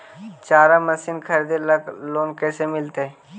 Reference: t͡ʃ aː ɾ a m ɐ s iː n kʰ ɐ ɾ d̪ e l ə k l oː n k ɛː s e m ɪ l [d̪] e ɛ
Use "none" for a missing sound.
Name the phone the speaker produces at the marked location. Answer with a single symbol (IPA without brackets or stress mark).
t̪